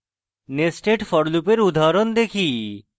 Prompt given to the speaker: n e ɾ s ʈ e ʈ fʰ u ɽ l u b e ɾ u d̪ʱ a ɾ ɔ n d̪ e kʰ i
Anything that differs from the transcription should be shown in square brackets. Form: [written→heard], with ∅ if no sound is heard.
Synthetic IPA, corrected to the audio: n e [ɾ→∅] s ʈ e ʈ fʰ [u→ɔ] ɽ l u [b→p] e ɾ u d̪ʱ a ɾ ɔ n d̪ e kʰ i